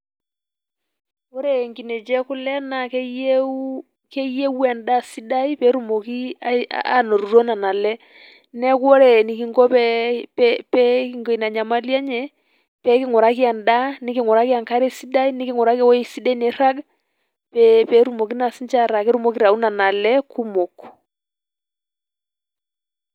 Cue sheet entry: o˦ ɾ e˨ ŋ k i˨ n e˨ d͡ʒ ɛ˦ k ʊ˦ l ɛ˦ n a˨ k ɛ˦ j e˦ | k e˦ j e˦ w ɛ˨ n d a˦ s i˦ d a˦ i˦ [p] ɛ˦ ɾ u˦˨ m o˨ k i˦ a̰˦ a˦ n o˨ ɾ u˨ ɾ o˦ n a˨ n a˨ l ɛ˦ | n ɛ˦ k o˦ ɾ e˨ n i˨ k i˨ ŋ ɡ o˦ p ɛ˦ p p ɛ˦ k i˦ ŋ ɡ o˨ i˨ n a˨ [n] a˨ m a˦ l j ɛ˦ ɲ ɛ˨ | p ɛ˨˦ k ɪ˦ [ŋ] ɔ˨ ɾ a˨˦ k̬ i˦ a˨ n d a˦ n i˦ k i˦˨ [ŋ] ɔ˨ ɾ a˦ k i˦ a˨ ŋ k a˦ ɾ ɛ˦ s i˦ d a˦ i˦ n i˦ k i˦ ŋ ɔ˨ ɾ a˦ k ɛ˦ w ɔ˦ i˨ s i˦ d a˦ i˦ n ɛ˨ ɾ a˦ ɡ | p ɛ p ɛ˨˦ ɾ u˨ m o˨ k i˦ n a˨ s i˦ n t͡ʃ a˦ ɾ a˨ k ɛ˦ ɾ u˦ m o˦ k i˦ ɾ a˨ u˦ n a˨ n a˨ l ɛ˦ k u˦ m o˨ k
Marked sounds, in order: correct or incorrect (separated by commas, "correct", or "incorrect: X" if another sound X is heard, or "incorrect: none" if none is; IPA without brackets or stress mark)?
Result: correct, incorrect: ɲ, correct, correct